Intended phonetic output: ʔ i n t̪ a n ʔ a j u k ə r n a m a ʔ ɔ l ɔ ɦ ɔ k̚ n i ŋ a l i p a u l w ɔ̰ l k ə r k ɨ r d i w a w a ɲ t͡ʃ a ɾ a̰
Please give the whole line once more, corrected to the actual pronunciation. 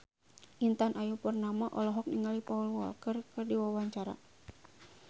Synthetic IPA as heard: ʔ i n t̪ a n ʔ a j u p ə r n a m a ʔ ɔ l ɔ ɦ ɔ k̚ n i ŋ a l i p a u l w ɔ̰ l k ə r k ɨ r d i w a w a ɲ t͡ʃ a ɾ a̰